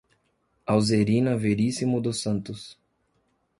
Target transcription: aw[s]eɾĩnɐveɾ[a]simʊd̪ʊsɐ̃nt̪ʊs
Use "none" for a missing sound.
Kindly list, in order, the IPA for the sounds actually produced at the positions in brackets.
z, i

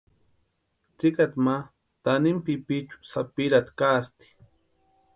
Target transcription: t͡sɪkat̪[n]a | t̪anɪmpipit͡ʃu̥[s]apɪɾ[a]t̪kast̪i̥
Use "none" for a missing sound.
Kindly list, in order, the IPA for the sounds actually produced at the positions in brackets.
m, s, a

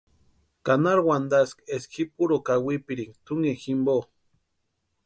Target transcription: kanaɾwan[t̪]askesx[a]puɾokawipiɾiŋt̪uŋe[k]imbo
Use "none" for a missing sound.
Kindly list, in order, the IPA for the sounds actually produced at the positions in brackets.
d̪, i, x

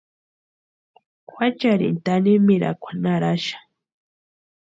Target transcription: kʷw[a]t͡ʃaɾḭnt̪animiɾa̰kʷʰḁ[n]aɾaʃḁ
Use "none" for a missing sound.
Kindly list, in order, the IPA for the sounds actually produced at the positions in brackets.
a, n

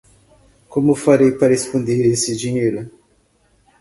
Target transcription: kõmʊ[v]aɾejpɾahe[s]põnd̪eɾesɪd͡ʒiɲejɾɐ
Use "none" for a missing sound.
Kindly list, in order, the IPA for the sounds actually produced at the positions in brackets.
f, s

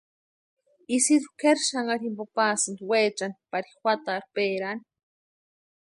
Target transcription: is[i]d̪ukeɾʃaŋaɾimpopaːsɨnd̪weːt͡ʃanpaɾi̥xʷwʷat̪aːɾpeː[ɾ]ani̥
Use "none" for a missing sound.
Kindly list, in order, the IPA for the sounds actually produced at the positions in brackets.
i, ɾ

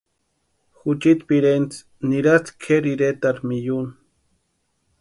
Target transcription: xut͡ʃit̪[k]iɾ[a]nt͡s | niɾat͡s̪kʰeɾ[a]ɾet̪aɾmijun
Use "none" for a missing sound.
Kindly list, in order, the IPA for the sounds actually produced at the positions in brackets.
p, e, i

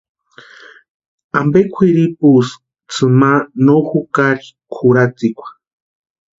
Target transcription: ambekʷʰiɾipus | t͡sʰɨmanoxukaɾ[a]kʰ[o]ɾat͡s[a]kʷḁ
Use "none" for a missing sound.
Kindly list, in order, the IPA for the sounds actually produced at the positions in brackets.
i, u, i

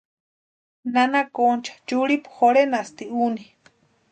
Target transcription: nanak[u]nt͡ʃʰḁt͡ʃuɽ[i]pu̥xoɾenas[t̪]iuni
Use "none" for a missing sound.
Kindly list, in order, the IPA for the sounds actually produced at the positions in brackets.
o, i, t̪

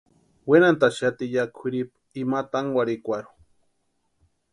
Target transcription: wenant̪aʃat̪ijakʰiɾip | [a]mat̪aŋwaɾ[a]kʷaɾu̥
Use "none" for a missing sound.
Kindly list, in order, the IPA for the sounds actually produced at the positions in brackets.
i, i

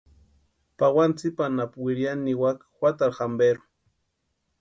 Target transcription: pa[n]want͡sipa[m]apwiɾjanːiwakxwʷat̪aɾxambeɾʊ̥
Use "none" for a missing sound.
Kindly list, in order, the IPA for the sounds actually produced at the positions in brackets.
none, n

